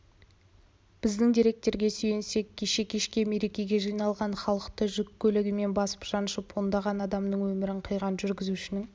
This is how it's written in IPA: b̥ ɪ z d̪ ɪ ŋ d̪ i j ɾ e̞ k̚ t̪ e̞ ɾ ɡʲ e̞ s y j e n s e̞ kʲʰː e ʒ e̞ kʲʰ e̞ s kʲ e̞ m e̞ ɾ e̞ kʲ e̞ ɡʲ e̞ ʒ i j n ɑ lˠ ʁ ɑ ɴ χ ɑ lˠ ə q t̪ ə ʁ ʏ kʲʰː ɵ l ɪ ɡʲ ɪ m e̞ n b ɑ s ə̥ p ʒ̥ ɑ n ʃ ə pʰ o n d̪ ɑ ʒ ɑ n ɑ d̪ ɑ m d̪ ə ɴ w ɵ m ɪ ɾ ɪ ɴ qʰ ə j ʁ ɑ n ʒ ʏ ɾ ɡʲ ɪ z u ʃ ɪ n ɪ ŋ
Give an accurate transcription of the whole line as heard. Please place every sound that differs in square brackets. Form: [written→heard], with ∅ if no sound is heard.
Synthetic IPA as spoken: b̥ ɪ z d̪ ɪ ŋ d̪ i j ɾ e̞ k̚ t̪ e̞ ɾ ɡʲ e̞ s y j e n s e̞ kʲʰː e [ʒ→ʃ] e̞ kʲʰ e̞ [s→ʃ] kʲ e̞ m e̞ ɾ e̞ kʲ e̞ ɡʲ e̞ ʒ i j n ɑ lˠ ʁ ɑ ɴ χ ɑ lˠ ə q t̪ ə [ʁ→ʒ] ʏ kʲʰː ɵ l ɪ ɡʲ ɪ m e̞ n b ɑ s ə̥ p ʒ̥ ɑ n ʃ ə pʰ o n d̪ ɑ [ʒ→ʁ] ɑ n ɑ d̪ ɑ m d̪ ə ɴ w ɵ m ɪ ɾ ɪ ɴ qʰ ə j ʁ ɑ n ʒ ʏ ɾ ɡʲ ɪ z u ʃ ɪ n ɪ ŋ

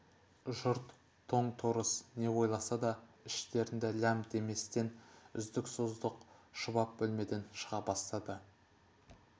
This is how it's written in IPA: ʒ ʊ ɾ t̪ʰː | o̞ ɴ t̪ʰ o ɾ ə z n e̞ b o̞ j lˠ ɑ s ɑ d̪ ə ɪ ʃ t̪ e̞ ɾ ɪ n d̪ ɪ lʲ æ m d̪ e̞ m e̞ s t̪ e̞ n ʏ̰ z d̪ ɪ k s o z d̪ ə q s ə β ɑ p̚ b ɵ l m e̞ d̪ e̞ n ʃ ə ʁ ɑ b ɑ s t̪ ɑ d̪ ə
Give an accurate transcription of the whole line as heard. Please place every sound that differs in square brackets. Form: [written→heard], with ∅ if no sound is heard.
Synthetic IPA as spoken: ʒ ʊ ɾ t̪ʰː | o̞ ɴ t̪ʰ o ɾ ə [z→s] n e̞ [b→w] o̞ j lˠ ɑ s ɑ d̪ [ə→ɑ] ɪ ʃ t̪ e̞ ɾ ɪ n d̪ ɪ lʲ æ m d̪ e̞ m e̞ s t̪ e̞ n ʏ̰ z d̪ ɪ k s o z d̪ ə q [s→ʃ] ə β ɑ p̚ b ɵ l m e̞ d̪ e̞ n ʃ ə ʁ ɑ b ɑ s t̪ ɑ d̪ ə

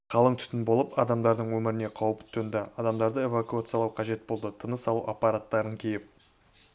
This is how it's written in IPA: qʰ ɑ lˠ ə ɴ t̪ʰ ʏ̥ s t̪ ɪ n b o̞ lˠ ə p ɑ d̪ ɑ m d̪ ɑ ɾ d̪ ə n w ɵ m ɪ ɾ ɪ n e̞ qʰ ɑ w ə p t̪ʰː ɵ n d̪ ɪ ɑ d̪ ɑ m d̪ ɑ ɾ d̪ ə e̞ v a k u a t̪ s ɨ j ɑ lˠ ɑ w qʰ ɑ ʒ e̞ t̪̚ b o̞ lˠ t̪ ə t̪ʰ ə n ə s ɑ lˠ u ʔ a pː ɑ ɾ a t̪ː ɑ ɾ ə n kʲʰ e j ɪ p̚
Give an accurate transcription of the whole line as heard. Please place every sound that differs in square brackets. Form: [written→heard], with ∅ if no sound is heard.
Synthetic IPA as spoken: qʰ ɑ lˠ ə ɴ t̪ʰ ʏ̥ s t̪ ɪ n b o̞ lˠ ə p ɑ d̪ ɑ m d̪ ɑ ɾ d̪ ə [n→ɴ] w ɵ m ɪ ɾ ɪ n e̞ qʰ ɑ w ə p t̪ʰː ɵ n d̪ ɪ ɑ d̪ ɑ m d̪ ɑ ɾ d̪ ə e̞ v a k u a t̪ s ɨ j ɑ lˠ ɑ w qʰ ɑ ʒ e̞ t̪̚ b o̞ lˠ [t̪→d̪] ə t̪ʰ ə n ə s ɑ lˠ u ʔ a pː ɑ ɾ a t̪ː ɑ ɾ ə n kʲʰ e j ɪ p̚

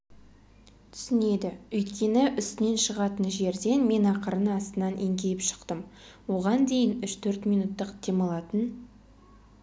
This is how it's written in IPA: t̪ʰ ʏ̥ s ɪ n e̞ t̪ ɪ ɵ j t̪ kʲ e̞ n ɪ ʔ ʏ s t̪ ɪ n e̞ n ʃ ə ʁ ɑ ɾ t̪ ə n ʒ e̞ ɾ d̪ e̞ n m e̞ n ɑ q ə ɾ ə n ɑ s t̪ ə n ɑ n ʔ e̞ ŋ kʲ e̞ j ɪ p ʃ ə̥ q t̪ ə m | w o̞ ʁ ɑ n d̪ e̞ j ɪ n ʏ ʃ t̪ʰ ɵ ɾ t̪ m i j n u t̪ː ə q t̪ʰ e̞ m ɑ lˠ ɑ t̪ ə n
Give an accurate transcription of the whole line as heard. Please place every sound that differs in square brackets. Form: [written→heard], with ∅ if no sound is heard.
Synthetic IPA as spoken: t̪ʰ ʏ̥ s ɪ n e̞ [t̪→d̪] ɪ ɵ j t̪ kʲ e̞ n ɪ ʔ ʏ s t̪ ɪ n e̞ n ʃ ə ʁ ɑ [ɾ→∅] t̪ ə n ʒ e̞ ɾ d̪ e̞ n m e̞ n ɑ q ə ɾ ə n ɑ s t̪ ə n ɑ n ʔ e̞ ŋ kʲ e̞ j ɪ p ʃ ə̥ q t̪ ə m | w o̞ ʁ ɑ n d̪ e̞ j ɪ n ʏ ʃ t̪ʰ ɵ ɾ t̪ m i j n u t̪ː ə q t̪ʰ e̞ m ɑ lˠ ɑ t̪ ə n

